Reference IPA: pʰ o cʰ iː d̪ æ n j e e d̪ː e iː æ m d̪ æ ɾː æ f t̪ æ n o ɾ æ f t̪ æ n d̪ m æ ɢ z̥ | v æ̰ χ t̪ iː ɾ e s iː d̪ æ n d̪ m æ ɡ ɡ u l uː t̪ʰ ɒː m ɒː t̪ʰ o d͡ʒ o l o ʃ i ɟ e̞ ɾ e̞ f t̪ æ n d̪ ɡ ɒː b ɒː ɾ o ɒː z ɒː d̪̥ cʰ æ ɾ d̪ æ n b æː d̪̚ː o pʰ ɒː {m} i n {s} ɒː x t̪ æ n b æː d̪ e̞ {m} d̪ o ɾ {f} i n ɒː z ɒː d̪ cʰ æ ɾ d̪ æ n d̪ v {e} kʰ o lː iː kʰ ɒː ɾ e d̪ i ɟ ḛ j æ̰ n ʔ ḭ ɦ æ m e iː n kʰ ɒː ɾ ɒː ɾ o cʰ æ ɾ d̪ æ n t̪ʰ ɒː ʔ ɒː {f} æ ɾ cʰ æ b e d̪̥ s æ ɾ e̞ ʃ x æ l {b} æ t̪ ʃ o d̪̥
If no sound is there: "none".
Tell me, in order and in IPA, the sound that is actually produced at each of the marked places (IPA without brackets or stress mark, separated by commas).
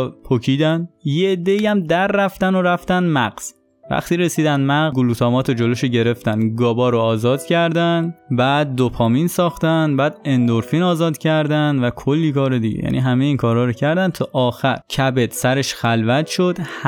m, s, n, f, æ, x, v